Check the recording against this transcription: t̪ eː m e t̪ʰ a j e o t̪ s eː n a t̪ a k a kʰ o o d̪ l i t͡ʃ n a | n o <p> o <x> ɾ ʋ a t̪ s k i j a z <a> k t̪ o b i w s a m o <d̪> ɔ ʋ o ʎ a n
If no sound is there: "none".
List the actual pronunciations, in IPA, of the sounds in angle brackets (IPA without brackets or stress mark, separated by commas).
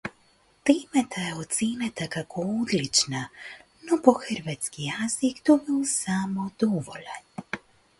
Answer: p, x, i, d̪